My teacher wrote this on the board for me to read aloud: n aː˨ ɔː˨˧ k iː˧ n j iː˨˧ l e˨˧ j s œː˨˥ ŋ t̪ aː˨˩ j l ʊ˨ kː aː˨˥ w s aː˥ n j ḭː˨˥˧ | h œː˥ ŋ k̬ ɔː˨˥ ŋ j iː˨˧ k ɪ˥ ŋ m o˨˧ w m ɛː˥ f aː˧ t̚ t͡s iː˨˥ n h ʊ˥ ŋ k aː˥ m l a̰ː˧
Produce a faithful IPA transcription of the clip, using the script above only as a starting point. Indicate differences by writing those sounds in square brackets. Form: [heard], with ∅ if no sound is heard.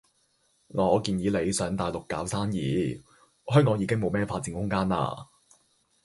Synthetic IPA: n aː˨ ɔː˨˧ k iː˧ n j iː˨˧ l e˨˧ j s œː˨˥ ŋ t̪ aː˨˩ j l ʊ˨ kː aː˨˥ w s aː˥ n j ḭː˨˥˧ | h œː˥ ŋ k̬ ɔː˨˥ ŋ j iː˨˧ k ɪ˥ ŋ m o˨˧ w m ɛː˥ f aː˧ t̚ t͡s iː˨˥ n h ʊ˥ ŋ k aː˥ [n] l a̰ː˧